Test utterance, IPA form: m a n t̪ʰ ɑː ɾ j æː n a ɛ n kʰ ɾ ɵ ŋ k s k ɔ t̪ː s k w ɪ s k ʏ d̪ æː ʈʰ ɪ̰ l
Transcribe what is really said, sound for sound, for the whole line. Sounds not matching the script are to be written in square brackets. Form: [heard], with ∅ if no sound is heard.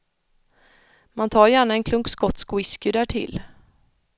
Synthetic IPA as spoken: m a n t̪ʰ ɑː ɾ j æː [ɳ] a ɛ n kʰ [l] ɵ ŋ k s k ɔ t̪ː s k w ɪ s k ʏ d̪ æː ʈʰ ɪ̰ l

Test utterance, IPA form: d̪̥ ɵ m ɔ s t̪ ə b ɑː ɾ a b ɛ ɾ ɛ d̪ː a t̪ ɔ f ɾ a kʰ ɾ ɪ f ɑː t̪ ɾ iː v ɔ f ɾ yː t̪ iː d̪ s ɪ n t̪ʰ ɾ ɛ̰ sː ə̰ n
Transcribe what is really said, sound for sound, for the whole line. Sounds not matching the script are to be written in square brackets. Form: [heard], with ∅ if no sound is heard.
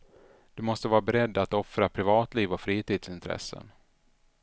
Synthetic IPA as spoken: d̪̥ ɵ m ɔ s t̪ ə [v] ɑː ɾ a b ɛ ɾ ɛ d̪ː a t̪ ɔ f ɾ a [pʰ] ɾ ɪ [v] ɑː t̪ [l] iː v ɔ f ɾ [iː] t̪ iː d̪ s ɪ n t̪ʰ ɾ ɛ̰ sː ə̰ n

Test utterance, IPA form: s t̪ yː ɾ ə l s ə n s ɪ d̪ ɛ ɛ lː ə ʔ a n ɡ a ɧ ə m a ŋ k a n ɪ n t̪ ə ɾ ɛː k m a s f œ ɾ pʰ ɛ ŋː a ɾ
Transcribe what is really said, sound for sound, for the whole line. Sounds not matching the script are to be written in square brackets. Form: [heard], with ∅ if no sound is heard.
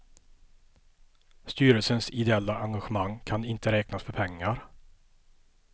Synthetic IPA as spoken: s t̪ yː ɾ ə l s ə n s ɪ d̪ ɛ ɛ lː [a] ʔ a [ŋ] ɡ a ɧ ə m a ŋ [kʰ] a n ɪ n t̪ ə ɾ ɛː k [n] a s f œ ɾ pʰ ɛ ŋː a ɾ

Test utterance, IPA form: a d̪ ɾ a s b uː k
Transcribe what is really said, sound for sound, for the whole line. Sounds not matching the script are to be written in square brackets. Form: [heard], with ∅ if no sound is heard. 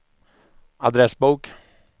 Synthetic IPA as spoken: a d̪ ɾ [ɛ] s b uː k

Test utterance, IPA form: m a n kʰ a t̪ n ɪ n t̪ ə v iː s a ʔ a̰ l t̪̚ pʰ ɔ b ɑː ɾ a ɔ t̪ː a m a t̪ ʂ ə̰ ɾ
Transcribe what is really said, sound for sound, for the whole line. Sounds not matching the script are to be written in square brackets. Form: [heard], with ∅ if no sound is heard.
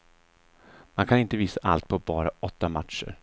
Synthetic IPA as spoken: m a n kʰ a [∅] n ɪ n t̪ ə v iː s a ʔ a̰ l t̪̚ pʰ ɔ b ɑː ɾ a ɔ t̪ː a m a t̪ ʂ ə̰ ɾ

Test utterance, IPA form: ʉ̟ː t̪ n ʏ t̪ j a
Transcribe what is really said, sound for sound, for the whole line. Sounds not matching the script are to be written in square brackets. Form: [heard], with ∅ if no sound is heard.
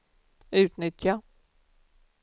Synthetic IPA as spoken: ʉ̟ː t̪ n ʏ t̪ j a

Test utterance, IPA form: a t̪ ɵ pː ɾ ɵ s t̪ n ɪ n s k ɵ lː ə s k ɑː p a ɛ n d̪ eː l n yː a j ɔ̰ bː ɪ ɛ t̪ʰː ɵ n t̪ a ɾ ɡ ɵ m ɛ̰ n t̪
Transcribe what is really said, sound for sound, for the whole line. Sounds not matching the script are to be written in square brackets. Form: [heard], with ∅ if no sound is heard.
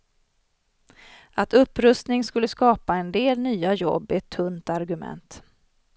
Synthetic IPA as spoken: a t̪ ɵ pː ɾ ɵ s t̪ n ɪ [ŋ] s k ɵ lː ə s k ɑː p a ɛ n d̪ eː l n yː a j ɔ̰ bː ɪ ɛ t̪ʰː ɵ n t̪ a ɾ ɡ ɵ m ɛ̰ n t̪

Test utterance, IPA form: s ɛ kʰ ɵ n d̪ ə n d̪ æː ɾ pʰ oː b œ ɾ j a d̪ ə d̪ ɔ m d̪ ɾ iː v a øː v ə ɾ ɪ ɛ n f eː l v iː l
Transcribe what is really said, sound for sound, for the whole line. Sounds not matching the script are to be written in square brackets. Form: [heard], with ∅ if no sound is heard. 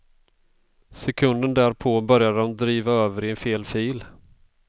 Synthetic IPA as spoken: s ɛ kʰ ɵ n d̪ ə n d̪ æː ɾ pʰ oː b œ ɾ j a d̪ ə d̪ ɔ m d̪ ɾ iː v a øː v ə ɾ ɪ ɛ n f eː l [f] iː l

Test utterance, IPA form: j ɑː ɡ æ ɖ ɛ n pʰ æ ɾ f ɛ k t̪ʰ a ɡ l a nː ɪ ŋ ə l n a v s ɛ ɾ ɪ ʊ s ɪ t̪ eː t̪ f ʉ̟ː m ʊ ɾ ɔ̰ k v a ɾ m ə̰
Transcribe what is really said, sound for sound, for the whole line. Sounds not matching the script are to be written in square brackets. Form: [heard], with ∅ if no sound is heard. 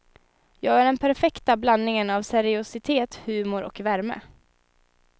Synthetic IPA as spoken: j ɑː ɡ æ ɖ ɛ n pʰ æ ɾ f ɛ k [t̪] a [b] l a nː ɪ ŋ ə [∅] n a v s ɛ ɾ ɪ ʊ s ɪ [t̪ʰ] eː t̪ [h] ʉ̟ː m ʊ ɾ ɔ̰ k v [æ] ɾ m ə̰

